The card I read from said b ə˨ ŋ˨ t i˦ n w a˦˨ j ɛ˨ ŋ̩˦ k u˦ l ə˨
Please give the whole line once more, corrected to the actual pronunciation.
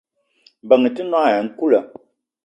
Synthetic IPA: b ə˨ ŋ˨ t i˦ n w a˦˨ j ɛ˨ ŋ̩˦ k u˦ l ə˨